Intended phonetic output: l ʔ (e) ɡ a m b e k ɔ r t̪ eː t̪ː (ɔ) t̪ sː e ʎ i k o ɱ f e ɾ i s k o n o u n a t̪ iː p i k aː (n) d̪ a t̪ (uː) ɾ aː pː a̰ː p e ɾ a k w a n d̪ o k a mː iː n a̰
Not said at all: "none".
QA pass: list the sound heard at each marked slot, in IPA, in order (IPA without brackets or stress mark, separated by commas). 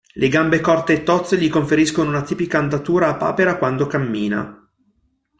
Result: e, ɔ, n, uː